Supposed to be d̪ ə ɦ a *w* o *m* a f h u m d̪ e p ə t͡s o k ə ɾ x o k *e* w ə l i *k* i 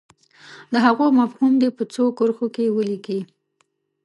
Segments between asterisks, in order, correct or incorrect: incorrect, correct, correct, correct

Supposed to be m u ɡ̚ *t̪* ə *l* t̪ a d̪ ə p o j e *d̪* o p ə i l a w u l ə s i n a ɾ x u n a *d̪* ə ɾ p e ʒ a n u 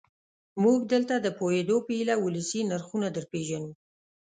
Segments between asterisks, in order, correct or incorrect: incorrect, correct, correct, correct

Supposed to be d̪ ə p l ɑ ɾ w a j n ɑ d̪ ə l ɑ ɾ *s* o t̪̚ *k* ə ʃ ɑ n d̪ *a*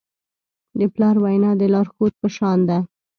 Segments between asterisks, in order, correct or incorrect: incorrect, incorrect, correct

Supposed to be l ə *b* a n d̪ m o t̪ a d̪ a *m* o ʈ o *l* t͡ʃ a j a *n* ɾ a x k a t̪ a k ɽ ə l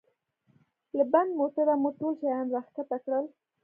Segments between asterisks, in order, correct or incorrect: correct, correct, correct, correct

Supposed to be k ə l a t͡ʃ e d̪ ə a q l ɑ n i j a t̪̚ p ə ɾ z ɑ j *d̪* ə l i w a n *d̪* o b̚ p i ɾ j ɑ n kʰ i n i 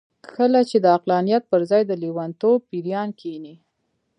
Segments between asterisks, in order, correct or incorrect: correct, incorrect

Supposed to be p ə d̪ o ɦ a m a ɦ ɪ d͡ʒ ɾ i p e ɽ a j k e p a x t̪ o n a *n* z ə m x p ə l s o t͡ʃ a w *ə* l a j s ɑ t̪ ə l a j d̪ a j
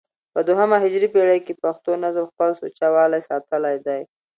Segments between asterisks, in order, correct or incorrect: incorrect, incorrect

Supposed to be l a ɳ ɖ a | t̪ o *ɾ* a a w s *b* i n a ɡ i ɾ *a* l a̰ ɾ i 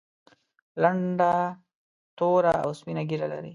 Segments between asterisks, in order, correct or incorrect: correct, incorrect, correct

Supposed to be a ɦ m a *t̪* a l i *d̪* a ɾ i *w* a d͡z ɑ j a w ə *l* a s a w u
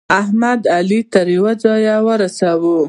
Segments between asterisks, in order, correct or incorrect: incorrect, incorrect, correct, incorrect

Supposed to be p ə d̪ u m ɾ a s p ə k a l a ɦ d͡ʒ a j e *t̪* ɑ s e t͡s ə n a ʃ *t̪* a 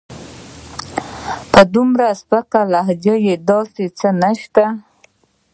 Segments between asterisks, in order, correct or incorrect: incorrect, correct

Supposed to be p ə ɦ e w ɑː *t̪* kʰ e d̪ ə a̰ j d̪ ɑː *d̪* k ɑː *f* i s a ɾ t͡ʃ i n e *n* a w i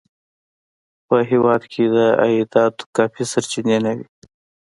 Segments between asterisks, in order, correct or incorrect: incorrect, incorrect, correct, correct

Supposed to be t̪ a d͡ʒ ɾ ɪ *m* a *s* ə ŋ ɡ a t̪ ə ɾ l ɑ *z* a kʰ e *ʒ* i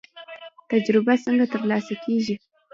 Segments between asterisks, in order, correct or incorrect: incorrect, correct, incorrect, correct

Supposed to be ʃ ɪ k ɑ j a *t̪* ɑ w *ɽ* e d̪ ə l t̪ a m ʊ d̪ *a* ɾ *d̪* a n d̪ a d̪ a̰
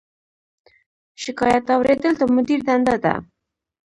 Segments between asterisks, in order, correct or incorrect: correct, incorrect, incorrect, correct

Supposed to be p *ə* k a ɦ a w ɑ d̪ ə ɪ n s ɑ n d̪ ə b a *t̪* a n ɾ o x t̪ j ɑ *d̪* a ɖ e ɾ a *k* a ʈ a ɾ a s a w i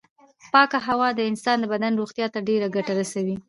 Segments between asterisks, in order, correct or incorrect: incorrect, incorrect, incorrect, incorrect

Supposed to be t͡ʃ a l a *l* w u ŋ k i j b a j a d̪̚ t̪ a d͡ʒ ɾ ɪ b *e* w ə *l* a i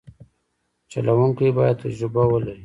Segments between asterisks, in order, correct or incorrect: incorrect, incorrect, correct

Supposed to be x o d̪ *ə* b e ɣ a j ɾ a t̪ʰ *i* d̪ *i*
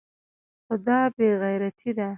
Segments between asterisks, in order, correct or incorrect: incorrect, correct, incorrect

